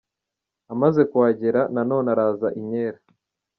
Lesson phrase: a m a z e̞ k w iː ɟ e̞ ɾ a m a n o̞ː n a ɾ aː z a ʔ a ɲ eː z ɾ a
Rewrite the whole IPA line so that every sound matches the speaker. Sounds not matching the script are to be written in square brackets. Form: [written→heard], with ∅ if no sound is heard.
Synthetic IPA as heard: a m a z e̞ k w [iː→aː] ɟ e̞ ɾ a [m→n] a n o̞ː n a ɾ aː z a ʔ [a→i] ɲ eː [z→∅] ɾ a

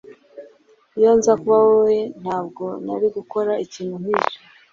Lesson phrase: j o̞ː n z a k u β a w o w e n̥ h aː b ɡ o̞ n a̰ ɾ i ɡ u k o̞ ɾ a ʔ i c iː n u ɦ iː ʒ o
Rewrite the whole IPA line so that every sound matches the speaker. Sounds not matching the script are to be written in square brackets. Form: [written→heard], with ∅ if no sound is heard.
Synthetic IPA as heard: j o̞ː n z a k u β a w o w e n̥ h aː b ɡ o̞ n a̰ ɾ i ɡ u k o̞ ɾ a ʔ i c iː n u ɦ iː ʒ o

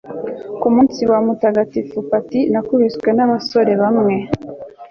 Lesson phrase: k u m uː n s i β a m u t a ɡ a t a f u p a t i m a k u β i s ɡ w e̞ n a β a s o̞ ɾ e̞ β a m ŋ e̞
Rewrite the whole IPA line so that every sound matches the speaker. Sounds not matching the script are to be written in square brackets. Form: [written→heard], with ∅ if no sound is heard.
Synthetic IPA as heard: k u m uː n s i [β→w] a m u t a ɡ a t [a→i] f u p a t i [m→n] a k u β i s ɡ w e̞ n a β a s o̞ ɾ e̞ β a m ŋ e̞

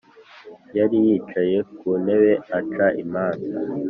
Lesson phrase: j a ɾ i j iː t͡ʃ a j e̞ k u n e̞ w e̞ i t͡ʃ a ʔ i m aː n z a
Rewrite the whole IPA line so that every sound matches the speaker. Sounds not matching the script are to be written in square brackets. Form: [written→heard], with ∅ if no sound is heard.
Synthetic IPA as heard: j a ɾ i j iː t͡ʃ a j e̞ k u n e̞ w e̞ [i→a] t͡ʃ a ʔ i m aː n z a

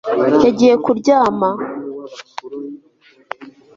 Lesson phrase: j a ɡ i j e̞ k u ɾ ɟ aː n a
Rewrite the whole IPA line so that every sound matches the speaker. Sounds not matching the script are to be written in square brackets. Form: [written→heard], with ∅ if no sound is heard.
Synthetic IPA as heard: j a [ɡ→ɟ] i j e̞ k u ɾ ɟ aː [n→m] a

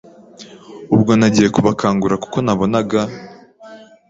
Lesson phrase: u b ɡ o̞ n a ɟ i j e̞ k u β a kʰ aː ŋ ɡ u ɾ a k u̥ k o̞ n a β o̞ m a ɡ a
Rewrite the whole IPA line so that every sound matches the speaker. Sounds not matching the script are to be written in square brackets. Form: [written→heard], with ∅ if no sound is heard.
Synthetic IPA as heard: u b ɡ o̞ n a ɟ i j e̞ k u β a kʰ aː ŋ ɡ u ɾ a k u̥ k o̞ n a β o̞ [m→n] a ɡ a

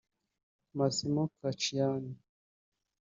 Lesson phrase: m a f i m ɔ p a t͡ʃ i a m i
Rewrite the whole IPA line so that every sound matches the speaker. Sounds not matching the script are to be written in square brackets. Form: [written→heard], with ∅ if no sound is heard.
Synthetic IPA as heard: m a [f→s] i m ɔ [p→k] a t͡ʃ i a [m→n] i

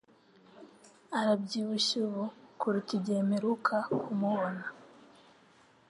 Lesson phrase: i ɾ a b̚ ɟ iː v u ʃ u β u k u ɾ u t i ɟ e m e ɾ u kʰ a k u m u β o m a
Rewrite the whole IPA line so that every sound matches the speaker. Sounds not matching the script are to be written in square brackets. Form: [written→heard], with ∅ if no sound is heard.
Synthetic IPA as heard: [i→a] ɾ a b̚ ɟ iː [v→β] u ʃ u β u k u ɾ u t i ɟ e m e ɾ u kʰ a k u m u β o [m→n] a

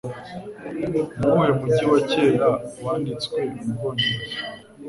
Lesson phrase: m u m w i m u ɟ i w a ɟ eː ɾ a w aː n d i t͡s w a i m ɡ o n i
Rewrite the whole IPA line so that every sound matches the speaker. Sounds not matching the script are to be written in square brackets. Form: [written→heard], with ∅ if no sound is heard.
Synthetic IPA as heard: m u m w [i→e] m u ɟ i w a [ɟ→c] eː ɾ a w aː n d i t͡s w [a→e] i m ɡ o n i

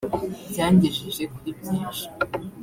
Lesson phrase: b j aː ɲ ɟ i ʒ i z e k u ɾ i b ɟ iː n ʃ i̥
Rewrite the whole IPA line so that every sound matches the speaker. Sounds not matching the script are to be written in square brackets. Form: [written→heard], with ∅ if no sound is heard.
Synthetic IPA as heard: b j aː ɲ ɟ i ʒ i [z→ʒ] e k u ɾ i b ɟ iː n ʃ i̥

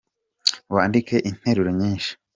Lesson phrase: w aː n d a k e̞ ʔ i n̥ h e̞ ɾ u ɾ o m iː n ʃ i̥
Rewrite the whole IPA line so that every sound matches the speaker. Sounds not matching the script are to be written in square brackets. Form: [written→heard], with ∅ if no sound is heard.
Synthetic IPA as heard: w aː n d [a→i] k e̞ ʔ i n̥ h e̞ ɾ u ɾ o [m→ɲ] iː n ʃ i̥

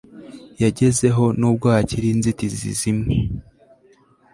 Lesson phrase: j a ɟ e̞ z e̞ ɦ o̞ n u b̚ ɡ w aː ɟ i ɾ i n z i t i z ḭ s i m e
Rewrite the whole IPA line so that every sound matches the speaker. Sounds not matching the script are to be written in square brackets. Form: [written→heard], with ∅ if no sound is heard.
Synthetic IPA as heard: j a ɟ e̞ z e̞ ɦ o̞ n u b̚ ɡ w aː [ɟ→c] i ɾ i n z i t i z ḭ [s→z] i m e

